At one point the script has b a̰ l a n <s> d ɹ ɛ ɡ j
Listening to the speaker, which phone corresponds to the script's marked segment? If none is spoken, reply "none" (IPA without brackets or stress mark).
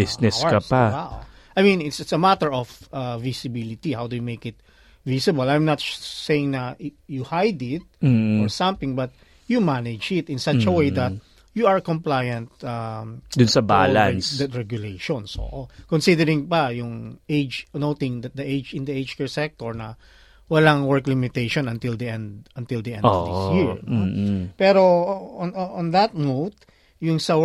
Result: s